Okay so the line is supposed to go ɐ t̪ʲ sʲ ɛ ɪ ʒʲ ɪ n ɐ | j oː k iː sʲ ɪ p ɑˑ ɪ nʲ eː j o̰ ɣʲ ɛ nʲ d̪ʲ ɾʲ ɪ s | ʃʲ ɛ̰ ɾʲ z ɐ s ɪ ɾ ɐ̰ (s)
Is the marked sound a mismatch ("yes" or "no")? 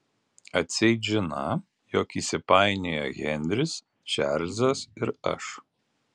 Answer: yes